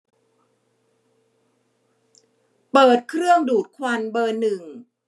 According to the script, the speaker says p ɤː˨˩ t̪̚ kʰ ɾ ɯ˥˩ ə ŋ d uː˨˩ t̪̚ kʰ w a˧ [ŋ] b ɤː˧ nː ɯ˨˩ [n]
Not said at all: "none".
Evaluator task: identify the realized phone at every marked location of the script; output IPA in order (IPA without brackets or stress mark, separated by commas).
n, ŋ